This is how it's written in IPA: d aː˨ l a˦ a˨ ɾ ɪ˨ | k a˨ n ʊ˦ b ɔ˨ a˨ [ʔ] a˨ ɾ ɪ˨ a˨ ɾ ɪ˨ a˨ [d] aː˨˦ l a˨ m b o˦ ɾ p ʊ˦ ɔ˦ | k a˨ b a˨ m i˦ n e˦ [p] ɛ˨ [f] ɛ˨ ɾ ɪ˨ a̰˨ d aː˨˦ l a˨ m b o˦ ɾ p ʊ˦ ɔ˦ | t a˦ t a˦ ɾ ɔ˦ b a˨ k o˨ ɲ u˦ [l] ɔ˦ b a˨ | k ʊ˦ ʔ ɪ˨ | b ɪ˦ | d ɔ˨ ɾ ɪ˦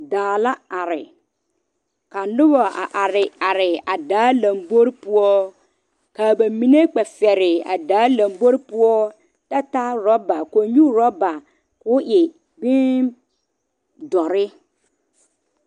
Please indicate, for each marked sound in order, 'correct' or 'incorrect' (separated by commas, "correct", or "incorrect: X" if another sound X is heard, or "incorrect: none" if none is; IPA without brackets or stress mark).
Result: correct, correct, incorrect: k͡p, correct, incorrect: ɾ